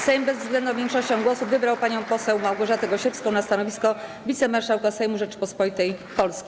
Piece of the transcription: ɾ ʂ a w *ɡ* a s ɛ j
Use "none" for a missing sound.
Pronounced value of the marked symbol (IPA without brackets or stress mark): k